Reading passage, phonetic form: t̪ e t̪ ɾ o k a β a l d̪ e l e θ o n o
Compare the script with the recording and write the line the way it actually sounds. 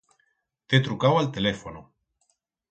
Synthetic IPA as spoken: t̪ e t̪ ɾ u k a w a l t̪ e l e f o n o